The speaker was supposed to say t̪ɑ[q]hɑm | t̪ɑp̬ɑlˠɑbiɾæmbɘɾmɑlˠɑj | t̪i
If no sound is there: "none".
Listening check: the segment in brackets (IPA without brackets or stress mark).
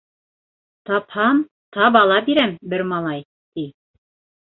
p